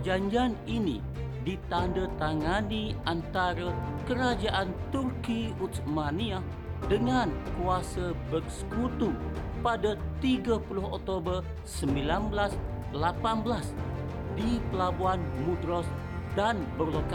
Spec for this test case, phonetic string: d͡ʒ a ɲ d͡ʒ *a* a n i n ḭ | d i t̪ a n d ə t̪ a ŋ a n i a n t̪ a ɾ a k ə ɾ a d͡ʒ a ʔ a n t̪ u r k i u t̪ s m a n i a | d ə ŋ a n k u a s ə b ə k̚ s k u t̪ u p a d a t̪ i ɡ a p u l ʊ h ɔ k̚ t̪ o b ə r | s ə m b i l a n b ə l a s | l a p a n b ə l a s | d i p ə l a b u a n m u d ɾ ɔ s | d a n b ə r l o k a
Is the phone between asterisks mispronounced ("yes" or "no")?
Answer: yes